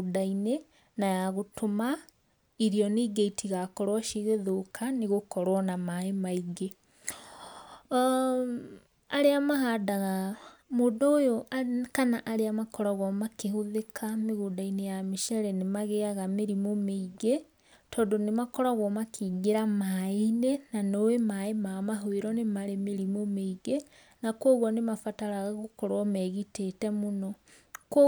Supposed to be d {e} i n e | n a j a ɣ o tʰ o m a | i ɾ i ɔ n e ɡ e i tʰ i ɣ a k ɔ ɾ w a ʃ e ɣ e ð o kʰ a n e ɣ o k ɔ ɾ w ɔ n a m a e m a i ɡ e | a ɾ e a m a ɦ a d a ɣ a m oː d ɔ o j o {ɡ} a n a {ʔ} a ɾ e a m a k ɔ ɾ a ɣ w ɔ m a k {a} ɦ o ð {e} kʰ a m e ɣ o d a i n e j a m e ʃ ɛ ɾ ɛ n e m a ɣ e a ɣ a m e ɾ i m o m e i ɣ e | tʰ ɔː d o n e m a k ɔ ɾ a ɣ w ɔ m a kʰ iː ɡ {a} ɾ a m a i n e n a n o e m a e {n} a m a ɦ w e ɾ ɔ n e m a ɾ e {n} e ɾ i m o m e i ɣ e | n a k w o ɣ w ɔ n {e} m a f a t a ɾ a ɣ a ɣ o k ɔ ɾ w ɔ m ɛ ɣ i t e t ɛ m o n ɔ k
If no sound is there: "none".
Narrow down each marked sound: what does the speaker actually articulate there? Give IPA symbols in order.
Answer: a, k, ʔ, e, e, e, m, m, e

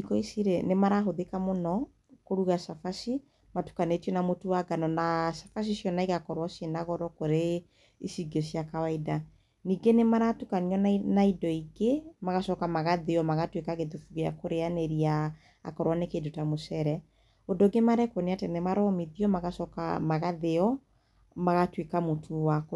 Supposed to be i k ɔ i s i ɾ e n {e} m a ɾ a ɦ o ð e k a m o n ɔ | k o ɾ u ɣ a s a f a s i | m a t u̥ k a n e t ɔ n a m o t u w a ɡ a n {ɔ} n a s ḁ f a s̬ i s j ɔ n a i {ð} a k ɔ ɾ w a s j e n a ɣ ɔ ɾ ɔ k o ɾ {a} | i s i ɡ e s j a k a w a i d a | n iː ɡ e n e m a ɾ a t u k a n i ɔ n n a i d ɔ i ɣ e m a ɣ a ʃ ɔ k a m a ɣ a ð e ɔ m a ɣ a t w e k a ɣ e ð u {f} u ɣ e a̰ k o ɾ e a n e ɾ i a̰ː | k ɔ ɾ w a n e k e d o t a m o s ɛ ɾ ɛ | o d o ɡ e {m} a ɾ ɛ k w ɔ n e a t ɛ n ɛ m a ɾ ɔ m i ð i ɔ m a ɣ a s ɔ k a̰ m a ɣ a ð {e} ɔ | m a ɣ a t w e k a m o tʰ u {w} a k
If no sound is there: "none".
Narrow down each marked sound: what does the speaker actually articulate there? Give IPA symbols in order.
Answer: e, ɔ, ɣ, e, f, m, e, w

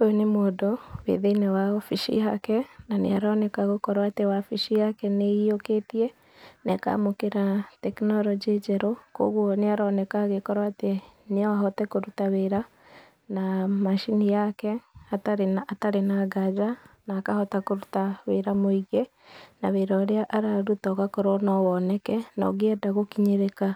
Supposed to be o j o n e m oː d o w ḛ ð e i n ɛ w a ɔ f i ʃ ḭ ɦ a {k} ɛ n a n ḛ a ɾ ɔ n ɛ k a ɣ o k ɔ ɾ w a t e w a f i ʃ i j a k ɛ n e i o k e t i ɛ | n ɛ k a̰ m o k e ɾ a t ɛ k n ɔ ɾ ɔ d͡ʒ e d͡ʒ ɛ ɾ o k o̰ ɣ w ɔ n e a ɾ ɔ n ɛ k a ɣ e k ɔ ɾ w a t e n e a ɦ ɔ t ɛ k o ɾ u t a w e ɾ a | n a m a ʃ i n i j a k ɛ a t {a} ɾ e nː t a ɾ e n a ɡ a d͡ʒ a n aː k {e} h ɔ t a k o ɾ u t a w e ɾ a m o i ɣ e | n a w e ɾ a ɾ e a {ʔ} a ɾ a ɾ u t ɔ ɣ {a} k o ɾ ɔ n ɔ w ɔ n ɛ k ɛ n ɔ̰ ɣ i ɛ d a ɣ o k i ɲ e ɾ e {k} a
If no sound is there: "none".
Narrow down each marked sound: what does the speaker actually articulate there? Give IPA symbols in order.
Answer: k, a, a, ʔ, a, k

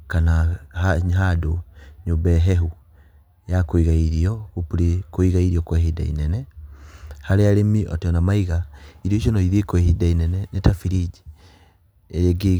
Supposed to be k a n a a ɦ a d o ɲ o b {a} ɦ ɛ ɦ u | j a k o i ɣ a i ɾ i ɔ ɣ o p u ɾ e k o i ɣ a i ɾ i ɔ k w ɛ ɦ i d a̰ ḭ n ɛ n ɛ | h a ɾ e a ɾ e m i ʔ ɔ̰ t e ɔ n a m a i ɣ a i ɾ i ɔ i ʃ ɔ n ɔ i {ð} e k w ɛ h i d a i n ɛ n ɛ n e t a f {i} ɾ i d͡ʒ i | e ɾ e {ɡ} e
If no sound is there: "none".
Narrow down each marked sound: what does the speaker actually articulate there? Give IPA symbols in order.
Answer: ɛ, ð, i, ɡ

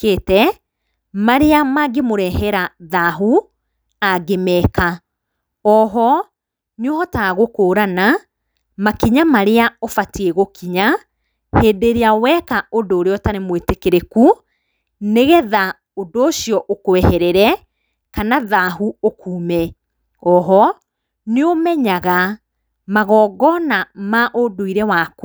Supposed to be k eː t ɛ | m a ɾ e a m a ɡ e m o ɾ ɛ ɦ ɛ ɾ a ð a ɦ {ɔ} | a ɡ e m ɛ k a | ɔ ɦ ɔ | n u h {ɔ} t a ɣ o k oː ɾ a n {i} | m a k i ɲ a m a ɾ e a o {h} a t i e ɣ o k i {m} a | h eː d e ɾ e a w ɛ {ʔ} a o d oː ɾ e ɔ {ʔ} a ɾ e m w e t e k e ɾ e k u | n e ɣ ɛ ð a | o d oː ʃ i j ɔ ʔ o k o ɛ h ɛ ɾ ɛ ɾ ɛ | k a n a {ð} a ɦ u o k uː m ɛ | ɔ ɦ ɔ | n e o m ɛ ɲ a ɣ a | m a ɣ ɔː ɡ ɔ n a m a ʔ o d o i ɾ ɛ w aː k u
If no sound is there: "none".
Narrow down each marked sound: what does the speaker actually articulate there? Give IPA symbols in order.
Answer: u, ɔ, a, f, ɲ, k, t, ð

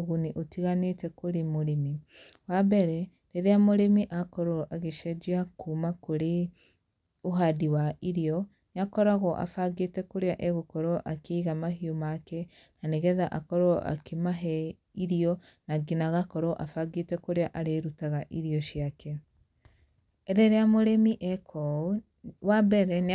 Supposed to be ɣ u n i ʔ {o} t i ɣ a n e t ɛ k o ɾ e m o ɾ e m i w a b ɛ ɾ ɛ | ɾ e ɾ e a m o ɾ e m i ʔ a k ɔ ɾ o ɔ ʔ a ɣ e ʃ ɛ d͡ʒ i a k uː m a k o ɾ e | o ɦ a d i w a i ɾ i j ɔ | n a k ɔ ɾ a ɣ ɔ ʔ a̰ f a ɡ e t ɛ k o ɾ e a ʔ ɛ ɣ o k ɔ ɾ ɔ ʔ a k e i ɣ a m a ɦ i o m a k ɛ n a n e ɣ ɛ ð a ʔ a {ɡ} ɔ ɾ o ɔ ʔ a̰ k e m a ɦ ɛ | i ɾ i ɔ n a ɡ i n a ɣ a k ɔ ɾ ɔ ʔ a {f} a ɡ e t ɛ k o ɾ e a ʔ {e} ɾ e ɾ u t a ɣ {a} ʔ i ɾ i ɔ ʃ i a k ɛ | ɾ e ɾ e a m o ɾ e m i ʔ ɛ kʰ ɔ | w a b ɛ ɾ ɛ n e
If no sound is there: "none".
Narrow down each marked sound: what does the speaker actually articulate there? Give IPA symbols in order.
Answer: o, k, f, a, a

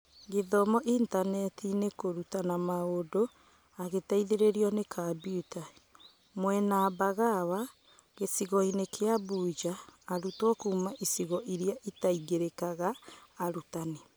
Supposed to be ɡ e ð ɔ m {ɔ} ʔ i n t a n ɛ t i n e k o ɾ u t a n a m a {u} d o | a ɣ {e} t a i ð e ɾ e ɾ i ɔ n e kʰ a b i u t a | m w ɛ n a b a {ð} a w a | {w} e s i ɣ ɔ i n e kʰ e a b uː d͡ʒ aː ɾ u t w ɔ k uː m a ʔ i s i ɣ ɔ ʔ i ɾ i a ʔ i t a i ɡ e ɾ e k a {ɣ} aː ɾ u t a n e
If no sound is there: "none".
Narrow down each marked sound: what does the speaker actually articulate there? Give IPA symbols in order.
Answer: ɔ, o, e, ɣ, ɣ, ɣ

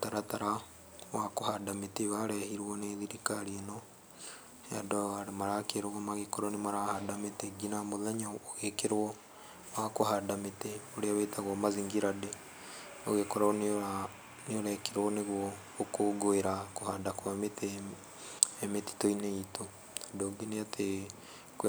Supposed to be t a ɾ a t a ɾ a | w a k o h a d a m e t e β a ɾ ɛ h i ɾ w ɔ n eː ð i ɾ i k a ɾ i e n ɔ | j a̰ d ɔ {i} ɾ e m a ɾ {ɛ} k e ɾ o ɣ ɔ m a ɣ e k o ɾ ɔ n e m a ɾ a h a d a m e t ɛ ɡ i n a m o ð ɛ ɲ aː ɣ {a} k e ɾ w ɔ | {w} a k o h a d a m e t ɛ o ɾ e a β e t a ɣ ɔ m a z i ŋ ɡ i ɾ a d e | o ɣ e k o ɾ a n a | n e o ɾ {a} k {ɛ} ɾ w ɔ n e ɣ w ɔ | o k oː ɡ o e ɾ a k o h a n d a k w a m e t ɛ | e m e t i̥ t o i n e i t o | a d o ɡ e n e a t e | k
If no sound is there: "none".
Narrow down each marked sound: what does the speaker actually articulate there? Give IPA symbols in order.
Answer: a, a, e, w, ɛ, e

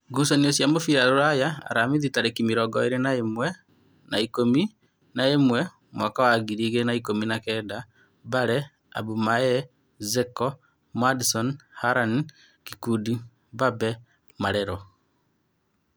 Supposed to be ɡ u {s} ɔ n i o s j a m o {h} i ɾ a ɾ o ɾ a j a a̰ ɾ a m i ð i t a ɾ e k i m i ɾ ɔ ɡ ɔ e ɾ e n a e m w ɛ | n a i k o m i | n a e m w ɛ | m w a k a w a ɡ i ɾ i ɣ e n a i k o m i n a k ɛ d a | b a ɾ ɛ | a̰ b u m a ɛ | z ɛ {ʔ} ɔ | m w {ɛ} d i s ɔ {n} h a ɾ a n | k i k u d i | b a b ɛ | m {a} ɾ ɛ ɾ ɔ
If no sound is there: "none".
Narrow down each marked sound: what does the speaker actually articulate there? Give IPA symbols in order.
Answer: s, f, k, a, n, a

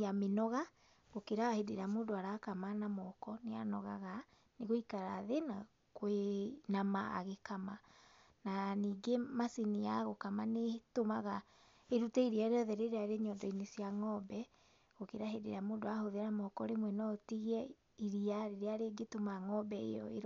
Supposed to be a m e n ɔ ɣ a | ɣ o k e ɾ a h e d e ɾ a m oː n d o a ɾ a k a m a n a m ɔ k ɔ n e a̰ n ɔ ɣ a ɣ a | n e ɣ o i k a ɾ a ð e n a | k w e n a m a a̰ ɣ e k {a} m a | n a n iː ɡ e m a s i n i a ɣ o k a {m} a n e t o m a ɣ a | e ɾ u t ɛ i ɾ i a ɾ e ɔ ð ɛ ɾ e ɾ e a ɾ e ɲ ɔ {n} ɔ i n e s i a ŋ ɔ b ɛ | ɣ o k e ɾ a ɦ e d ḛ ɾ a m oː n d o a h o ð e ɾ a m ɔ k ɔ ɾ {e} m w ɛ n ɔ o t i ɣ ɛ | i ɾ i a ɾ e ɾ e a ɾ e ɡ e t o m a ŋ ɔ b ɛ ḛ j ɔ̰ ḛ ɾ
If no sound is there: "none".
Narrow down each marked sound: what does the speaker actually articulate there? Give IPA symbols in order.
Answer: a, m, d, e

